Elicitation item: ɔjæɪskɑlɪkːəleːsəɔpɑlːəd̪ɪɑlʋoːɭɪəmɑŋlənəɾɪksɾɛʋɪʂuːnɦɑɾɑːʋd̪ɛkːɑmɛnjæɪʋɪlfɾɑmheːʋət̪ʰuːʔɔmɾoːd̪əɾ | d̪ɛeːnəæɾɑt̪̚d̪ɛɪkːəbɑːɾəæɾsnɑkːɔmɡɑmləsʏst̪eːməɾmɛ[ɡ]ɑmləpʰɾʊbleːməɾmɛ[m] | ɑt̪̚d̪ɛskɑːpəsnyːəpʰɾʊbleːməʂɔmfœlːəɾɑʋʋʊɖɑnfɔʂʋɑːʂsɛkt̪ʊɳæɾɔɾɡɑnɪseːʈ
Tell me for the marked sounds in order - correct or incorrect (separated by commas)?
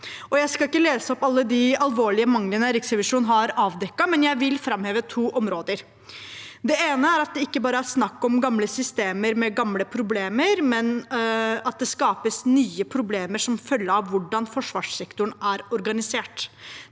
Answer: correct, incorrect